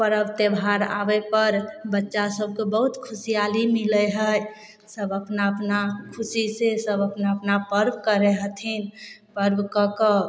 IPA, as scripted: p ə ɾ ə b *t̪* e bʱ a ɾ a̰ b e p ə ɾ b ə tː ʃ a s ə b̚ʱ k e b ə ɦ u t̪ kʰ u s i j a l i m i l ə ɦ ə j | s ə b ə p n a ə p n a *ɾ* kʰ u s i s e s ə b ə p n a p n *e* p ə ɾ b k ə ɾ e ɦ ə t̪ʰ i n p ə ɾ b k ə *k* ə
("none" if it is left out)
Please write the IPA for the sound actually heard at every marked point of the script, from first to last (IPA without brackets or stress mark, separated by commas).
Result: t̪, none, a, k